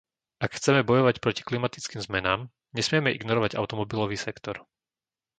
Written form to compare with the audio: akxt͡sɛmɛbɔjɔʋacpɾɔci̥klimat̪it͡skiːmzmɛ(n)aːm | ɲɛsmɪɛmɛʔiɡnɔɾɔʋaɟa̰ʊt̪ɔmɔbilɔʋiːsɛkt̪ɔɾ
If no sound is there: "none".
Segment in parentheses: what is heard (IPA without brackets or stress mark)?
n